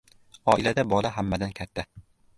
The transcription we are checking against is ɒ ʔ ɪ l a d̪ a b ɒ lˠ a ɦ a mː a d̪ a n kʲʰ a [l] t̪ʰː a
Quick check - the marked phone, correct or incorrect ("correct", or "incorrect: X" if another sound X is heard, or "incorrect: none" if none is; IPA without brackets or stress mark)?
incorrect: none